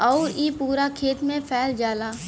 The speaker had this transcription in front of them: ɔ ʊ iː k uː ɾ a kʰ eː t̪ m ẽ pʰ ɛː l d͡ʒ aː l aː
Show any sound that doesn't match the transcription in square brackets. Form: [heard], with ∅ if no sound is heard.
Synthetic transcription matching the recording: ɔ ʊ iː [p] uː ɾ a kʰ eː t̪ m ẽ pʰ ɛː l d͡ʒ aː l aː